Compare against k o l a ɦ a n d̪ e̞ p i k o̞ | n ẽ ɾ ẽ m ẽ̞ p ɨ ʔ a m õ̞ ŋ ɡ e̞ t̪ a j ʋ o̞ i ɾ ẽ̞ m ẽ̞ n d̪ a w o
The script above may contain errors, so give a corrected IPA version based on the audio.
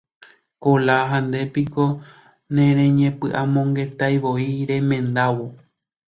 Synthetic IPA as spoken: k o l a ɦ a n d̪ e̞ p i k o̞ | n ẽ ɾ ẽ ɲ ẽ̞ p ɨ ʔ a m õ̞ ŋ ɡ e̞ t̪ a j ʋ o̞ i ɾ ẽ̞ m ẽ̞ n d̪ a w o